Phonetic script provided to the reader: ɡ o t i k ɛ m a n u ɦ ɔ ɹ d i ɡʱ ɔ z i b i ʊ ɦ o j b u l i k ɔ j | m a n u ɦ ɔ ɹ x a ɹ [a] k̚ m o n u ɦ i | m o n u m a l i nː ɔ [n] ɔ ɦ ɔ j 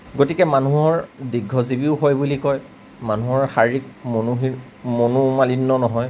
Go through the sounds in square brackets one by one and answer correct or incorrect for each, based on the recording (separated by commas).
incorrect, correct